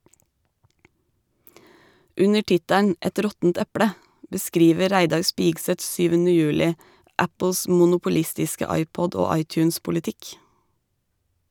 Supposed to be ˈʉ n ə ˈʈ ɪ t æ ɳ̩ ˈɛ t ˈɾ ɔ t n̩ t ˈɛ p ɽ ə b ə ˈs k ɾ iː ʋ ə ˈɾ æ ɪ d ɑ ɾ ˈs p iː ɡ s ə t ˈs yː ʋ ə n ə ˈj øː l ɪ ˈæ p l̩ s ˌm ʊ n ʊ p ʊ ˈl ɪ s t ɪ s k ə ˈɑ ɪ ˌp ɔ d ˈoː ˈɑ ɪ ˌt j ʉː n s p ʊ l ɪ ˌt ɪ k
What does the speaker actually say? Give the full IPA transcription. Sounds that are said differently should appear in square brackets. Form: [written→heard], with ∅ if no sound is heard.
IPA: ˈʉ n ə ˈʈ ɪ t æ ɳ̩ ˈɛ t ˈɾ ɔ t n̩ t ˈɛ p ɽ ə b ə ˈs k ɾ iː ʋ ə ˈɾ æ ɪ d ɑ ɾ ˈs p iː ɡ s ə t ˈs yː ʋ ə n ə ˈj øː l ɪ ˈæ p l̩ s ˌm ʊ n ʊ p ʊ ˈl ɪ s t ɪ s k ə ˈɑ ɪ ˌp ɔ d ˈoː ˈɑ ɪ ˌt j ʉː n s p ʊ l ɪ ˌt ɪ k